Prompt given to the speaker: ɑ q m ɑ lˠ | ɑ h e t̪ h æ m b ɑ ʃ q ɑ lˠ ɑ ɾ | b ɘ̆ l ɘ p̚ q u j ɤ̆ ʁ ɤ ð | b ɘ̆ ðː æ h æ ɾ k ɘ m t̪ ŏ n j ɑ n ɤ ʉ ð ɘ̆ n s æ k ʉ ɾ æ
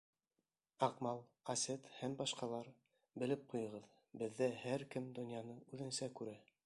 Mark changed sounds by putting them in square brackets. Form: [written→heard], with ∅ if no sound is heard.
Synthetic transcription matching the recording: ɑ q m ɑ lˠ | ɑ [h→s] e t̪ h æ m b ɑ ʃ q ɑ lˠ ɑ ɾ | b ɘ̆ l ɘ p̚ q u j ɤ̆ ʁ ɤ ð | b ɘ̆ ðː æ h æ ɾ k ɘ m [t̪→d̪] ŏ n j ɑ n ɤ ʉ ð ɘ̆ n s æ k ʉ ɾ æ

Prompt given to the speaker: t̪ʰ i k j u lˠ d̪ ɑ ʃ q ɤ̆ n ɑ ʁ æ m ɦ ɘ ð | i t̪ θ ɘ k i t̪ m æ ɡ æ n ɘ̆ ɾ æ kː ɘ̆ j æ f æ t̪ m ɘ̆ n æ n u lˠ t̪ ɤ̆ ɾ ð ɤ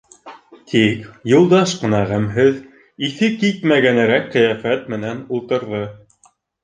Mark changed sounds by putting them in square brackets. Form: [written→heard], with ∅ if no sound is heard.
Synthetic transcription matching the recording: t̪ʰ i k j u lˠ d̪ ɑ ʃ q ɤ̆ n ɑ ʁ æ m ɦ ɘ ð | i [t̪→∅] θ ɘ k i t̪ m æ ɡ æ n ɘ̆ ɾ æ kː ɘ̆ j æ f æ t̪ m ɘ̆ n æ n u lˠ t̪ ɤ̆ ɾ ð ɤ

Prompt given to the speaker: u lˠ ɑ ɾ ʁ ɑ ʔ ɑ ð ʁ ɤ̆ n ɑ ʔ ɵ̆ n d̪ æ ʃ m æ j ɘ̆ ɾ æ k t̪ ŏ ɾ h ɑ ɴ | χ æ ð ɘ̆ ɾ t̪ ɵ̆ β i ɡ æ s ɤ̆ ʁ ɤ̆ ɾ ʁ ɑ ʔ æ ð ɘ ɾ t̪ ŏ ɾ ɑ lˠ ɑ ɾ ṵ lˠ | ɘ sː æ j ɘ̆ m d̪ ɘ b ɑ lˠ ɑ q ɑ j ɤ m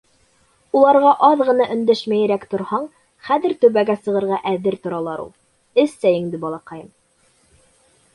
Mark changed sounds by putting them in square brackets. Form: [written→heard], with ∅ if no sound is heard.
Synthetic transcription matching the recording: u lˠ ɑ ɾ ʁ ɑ ʔ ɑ ð ʁ ɤ̆ n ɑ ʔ ɵ̆ n d̪ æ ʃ m æ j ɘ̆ ɾ æ k t̪ ŏ ɾ h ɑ ɴ | χ æ ð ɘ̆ ɾ t̪ ɵ̆ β [i→æ] ɡ æ s ɤ̆ ʁ ɤ̆ ɾ ʁ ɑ ʔ æ ð ɘ ɾ t̪ ŏ ɾ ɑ lˠ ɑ ɾ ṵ lˠ | ɘ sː æ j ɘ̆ [m→ŋ] d̪ ɘ b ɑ lˠ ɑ q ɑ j ɤ m

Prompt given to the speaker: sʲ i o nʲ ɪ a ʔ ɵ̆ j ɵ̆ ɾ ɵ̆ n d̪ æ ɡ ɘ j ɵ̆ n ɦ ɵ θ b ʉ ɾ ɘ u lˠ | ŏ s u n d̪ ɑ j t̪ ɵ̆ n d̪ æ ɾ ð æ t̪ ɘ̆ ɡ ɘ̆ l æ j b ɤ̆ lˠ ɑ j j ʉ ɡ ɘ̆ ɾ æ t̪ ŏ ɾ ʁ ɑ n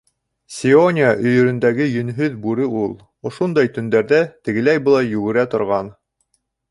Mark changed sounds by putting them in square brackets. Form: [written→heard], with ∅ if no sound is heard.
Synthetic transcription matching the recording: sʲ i o nʲ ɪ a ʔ ɵ̆ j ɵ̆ ɾ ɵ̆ n d̪ æ ɡ ɘ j ɵ̆ n ɦ ɵ [θ→ð] b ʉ ɾ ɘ u lˠ | ŏ [s→ʃ] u n d̪ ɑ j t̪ ɵ̆ n d̪ æ ɾ ð æ t̪ ɘ̆ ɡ ɘ̆ l æ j b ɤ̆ lˠ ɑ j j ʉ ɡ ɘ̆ ɾ æ t̪ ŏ ɾ ʁ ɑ n

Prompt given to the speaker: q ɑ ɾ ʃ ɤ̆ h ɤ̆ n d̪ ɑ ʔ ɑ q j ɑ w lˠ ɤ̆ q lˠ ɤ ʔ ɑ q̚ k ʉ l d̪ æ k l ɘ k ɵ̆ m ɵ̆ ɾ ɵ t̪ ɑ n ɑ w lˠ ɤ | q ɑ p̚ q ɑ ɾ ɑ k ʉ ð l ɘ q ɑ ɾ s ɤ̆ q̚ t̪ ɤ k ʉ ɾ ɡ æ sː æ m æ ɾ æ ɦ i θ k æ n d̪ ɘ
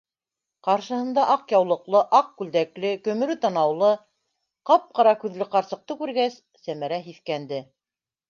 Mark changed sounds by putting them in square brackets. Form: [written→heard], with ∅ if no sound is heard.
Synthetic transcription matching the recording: q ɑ ɾ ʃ ɤ̆ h ɤ̆ n d̪ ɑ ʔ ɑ q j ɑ w lˠ ɤ̆ q lˠ ɤ ʔ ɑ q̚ k ʉ l d̪ æ k l ɘ k ɵ̆ m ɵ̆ ɾ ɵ t̪ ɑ n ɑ w lˠ ɤ | q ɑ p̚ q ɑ ɾ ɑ k ʉ ð l ɘ q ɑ ɾ s ɤ̆ q̚ t̪ ɤ k ʉ ɾ ɡ æ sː æ m æ ɾ æ ɦ i θ k æ n d̪ ɘ

